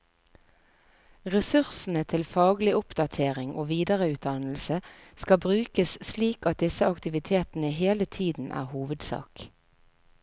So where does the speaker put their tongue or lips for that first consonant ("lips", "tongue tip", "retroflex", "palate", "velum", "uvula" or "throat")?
uvula